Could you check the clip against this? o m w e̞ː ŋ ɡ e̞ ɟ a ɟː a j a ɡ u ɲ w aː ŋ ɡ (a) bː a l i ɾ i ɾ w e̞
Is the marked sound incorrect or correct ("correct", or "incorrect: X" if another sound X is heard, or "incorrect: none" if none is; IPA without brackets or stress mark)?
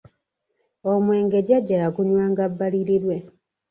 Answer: correct